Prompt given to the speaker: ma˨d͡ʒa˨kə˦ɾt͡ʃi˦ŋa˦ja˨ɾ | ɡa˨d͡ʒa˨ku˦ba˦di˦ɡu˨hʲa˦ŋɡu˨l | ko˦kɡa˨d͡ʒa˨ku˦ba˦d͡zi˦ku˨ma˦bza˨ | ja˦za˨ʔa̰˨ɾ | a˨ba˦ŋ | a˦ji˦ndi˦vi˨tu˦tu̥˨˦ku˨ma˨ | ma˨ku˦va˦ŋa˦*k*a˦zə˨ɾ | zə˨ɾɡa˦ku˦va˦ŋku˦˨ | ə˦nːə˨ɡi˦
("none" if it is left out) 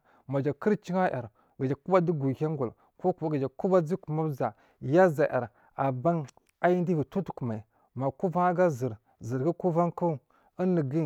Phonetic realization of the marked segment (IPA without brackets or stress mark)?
ɡ